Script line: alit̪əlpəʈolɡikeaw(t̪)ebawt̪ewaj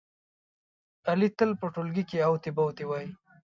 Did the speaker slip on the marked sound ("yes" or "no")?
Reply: no